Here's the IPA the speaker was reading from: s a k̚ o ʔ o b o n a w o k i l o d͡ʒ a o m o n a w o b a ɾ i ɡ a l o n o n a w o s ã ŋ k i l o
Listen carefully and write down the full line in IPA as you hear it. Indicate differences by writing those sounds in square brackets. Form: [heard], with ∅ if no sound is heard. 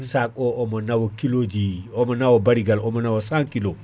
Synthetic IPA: s a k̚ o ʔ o [m] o n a w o k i l o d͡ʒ [i] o m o n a w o b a ɾ i ɡ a l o [m] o n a w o s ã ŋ k i l o

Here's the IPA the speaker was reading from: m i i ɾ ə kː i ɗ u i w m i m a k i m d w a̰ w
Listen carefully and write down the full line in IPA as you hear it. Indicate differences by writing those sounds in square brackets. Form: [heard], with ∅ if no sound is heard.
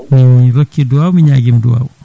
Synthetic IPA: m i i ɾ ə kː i [d] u [a] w m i [ɲ] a [ɡ] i m d [u] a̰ w

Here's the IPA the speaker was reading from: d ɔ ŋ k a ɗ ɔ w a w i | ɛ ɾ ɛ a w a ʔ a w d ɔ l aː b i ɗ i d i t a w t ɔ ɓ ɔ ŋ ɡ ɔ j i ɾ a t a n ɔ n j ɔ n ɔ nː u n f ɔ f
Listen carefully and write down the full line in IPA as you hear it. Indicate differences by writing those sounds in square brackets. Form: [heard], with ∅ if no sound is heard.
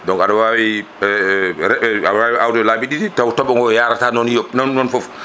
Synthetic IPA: d ɔ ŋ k a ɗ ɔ w a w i | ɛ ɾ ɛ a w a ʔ a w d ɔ l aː b i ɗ i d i t a w t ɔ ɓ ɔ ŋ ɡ ɔ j [a] ɾ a t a n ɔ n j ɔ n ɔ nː [ɔ] n f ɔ f

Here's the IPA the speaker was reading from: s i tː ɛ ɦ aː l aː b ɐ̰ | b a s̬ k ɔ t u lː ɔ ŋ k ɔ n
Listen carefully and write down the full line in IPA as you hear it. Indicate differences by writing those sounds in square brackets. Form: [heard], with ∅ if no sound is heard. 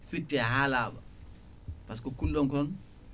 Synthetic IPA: [f] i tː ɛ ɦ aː l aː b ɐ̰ | [p] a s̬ k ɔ [k] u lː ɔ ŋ k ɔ n

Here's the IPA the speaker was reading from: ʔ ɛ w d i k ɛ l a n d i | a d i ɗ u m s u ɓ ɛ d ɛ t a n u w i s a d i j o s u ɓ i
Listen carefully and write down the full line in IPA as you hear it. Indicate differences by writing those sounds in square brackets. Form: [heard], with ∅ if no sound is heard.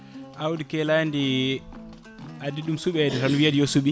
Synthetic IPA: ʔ [a] w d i k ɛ l a n d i | a d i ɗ u m s u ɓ ɛ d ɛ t a n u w i [∅] a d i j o s u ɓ i

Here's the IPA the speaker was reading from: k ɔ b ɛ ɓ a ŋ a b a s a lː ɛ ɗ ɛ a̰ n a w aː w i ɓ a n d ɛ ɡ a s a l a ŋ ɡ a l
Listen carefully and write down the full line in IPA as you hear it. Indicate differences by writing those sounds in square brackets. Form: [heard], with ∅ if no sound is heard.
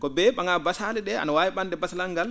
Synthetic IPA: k ɔ b ɛ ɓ a ŋ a b a s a [l] ɛ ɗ ɛ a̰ n a w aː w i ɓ a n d ɛ [b] a s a l a ŋ ɡ a l

